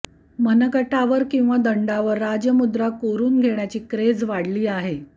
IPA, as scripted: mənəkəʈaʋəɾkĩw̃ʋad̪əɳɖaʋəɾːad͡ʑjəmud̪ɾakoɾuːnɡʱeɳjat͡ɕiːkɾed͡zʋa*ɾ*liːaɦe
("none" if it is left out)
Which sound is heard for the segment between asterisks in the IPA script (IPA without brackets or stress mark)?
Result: ɽ